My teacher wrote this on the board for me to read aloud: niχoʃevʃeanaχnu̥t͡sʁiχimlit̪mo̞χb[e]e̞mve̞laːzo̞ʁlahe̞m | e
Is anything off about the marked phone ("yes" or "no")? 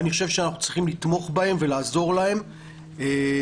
yes